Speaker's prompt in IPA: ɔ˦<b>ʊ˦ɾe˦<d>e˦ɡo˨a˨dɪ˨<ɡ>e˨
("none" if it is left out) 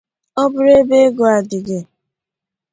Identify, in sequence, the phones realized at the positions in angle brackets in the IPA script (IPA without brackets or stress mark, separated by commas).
b, b, ɡ